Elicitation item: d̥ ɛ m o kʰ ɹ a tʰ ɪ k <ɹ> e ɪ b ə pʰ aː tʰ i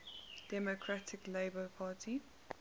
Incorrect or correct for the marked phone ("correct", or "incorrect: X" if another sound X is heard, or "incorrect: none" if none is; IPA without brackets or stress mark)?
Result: incorrect: l